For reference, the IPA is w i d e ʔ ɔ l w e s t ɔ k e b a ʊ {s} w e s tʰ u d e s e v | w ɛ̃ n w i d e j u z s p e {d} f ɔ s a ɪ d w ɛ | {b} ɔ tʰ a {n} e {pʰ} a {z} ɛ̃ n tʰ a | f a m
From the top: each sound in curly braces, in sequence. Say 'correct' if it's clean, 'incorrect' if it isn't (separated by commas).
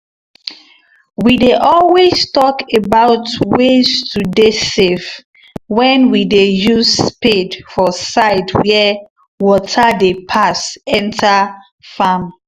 incorrect, correct, incorrect, incorrect, correct, incorrect